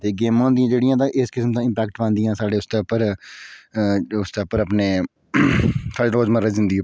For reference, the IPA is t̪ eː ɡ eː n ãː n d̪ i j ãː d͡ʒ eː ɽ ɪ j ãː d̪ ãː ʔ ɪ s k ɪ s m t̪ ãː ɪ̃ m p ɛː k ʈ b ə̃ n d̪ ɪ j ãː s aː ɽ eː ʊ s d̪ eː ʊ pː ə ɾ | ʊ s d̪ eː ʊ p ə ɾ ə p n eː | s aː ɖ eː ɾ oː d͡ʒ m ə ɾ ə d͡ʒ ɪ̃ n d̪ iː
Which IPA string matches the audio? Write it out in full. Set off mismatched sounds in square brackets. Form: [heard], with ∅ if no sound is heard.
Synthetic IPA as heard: t̪ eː ɡ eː [m] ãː n d̪ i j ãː d͡ʒ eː ɽ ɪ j ãː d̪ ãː ʔ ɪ s k ɪ s m t̪ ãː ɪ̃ m p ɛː k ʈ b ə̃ n d̪ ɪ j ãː s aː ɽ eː ʊ s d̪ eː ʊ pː ə ɾ | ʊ s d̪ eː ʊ p ə ɾ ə p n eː | s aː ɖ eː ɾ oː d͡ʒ m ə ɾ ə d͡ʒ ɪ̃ n d̪ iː